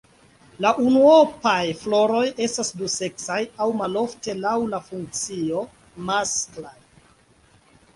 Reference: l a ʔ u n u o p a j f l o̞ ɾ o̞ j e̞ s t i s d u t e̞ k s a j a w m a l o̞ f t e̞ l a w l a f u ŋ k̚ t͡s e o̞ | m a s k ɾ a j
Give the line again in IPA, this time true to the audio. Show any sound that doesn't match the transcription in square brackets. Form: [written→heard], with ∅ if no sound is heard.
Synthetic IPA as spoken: l a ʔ u n u o p a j f l o̞ ɾ o̞ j e̞ s t [i→a] s d u [t→s] e̞ k s a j a w m a l o̞ f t e̞ l a w l a f u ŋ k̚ t͡s [e→i] o̞ | m a s k [ɾ→l] a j